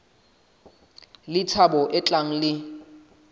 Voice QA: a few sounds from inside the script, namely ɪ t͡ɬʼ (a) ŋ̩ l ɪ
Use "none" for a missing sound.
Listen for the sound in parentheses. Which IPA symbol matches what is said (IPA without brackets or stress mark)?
a